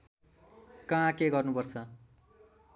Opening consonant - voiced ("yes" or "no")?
no